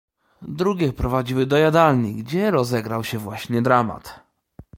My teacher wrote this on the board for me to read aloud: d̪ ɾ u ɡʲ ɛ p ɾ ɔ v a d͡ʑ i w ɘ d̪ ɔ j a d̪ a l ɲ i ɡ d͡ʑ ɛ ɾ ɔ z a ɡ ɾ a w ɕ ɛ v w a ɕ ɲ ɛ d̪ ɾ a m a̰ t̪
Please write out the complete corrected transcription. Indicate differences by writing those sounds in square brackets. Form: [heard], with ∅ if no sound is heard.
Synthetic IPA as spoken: d̪ ɾ u ɡʲ ɛ p ɾ ɔ v a d͡ʑ i w ɘ d̪ ɔ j a d̪ a l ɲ i ɡ d͡ʑ ɛ ɾ ɔ z [ɛ] ɡ ɾ a w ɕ ɛ v w a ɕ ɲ ɛ d̪ ɾ a m a̰ t̪